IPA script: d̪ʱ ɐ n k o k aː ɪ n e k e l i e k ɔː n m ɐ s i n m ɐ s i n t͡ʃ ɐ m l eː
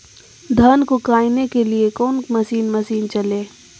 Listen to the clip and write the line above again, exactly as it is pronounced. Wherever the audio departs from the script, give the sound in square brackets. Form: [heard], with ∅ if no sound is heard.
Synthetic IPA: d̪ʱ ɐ n k o k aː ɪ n e k e l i e k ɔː n m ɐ s [iː] n m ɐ s [iː] n t͡ʃ ɐ [∅] l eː